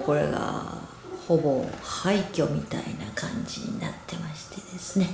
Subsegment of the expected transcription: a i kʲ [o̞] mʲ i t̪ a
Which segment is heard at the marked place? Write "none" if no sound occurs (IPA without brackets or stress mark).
o̞